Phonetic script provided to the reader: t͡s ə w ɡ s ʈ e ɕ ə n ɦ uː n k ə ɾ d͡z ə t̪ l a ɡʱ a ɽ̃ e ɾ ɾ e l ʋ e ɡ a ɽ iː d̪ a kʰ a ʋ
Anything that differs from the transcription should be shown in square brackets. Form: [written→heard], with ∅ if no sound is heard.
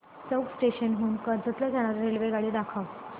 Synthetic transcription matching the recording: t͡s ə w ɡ s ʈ e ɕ ə n ɦ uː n k ə ɾ d͡z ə t̪ l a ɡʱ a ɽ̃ [e→a] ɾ ɾ e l ʋ e ɡ a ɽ iː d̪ a kʰ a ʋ